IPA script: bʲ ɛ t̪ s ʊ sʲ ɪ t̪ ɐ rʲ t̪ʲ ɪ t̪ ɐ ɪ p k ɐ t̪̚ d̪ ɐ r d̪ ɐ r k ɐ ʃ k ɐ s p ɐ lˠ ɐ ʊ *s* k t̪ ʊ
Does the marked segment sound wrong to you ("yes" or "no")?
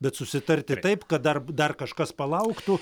yes